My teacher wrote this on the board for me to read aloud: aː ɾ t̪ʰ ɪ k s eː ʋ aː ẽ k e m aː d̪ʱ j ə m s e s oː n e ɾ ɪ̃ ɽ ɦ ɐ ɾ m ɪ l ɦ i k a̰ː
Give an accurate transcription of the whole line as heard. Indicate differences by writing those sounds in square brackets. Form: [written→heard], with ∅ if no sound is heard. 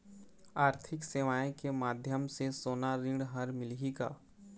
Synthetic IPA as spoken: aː ɾ t̪ʰ ɪ k s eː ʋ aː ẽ k e m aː d̪ʱ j ə m s e s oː n [e→a] ɾ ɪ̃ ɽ ɦ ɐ ɾ m ɪ l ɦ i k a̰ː

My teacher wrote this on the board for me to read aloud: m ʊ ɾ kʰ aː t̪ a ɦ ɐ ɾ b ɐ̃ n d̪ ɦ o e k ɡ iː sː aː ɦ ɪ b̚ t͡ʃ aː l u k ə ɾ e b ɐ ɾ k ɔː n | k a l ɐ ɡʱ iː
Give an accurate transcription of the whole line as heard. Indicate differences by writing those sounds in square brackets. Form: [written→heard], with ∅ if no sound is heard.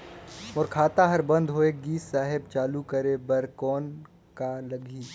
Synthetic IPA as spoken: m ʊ ɾ kʰ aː t̪ a ɦ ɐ ɾ b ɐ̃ n d̪ ɦ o e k ɡ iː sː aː ɦ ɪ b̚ t͡ʃ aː l u k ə ɾ e b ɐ ɾ k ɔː n | k a l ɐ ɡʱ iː

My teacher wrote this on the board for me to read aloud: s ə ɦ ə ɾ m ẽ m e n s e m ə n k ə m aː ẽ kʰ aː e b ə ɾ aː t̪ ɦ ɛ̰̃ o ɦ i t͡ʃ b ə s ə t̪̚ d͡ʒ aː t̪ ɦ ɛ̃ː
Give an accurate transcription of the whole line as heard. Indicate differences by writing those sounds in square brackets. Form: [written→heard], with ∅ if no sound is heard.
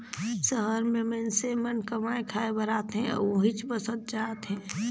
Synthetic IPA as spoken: s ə ɦ ə ɾ m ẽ m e n s e m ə n k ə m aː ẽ kʰ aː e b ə ɾ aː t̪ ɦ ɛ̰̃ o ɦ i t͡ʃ b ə s ə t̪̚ d͡ʒ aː t̪ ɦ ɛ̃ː

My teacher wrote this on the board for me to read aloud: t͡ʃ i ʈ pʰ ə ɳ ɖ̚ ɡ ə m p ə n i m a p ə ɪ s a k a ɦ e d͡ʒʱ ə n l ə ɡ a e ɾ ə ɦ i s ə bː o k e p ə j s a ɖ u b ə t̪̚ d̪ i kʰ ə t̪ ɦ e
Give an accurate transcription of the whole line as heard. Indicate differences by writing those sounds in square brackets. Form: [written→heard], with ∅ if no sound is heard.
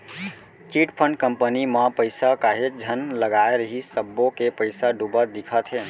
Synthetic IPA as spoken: t͡ʃ i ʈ pʰ ə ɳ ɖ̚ [ɡ→k] ə m p ə n i m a p ə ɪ s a k a ɦ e d͡ʒʱ ə n l ə ɡ a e ɾ ə ɦ i s ə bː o k e p ə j s a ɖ u b ə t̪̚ d̪ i kʰ ə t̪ ɦ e

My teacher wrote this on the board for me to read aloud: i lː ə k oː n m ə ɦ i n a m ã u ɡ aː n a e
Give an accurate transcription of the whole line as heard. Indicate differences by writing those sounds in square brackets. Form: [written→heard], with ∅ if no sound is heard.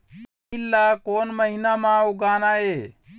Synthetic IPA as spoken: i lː [ə→a] k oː n m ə ɦ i n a m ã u ɡ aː n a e

